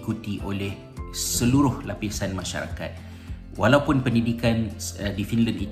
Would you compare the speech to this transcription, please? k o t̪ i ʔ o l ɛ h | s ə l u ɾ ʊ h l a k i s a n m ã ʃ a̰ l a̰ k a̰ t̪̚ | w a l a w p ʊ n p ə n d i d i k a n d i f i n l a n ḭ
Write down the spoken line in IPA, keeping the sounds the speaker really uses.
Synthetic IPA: k u t̪ i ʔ o l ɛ h | s ə l u ɾ ʊ h l a p i s a n m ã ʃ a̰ ɾ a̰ k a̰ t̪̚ | w a l a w p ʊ n p ə n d i d i k a n d i f i n l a n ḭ